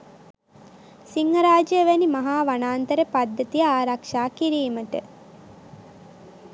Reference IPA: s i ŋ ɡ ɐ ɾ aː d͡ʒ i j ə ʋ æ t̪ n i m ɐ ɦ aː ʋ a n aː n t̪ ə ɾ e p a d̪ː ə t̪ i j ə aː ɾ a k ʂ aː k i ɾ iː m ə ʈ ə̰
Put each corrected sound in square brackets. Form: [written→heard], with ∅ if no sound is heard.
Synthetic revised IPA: s i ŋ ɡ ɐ ɾ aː d͡ʒ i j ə ʋ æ [t̪→∅] n i m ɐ ɦ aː ʋ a n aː n t̪ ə ɾ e p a d̪ː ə t̪ i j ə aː ɾ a k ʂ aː k i ɾ iː m ə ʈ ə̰